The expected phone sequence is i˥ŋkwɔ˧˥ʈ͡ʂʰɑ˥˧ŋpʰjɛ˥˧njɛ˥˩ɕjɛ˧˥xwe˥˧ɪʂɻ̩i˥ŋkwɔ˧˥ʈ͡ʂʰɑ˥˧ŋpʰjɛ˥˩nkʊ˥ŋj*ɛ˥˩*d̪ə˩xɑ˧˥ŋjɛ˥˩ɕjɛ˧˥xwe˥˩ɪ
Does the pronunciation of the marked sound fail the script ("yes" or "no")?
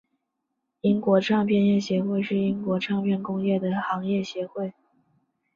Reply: no